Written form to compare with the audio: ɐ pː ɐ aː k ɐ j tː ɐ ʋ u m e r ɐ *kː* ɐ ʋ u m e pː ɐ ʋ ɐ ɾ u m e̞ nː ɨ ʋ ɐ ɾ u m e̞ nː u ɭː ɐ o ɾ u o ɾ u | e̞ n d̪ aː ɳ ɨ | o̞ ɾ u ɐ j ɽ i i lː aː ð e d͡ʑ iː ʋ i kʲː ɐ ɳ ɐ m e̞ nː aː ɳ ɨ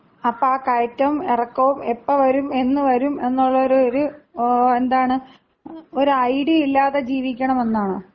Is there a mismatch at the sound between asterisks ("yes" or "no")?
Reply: no